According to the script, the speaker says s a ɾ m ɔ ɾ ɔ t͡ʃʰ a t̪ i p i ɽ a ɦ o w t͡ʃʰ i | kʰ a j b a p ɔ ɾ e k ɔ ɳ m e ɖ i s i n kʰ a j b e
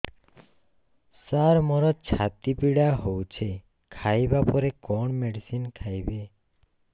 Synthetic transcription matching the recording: s a ɾ m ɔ ɾ ɔ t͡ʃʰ a t̪ i p i ɽ a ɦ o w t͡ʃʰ e | kʰ a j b a p ɔ ɾ e k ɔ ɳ m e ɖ i s i n kʰ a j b e